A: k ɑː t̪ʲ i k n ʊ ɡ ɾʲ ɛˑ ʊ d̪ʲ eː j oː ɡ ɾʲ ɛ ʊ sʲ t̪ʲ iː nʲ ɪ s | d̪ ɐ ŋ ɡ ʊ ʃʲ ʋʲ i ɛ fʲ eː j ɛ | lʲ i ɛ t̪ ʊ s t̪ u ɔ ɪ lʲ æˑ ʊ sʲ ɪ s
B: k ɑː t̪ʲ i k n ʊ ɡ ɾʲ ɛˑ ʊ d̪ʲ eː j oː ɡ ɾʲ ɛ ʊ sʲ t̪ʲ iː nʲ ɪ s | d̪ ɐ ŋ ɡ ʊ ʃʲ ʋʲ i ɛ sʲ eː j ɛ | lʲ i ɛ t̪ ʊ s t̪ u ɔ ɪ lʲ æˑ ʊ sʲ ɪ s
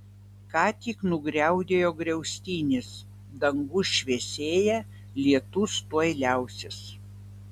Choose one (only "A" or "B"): B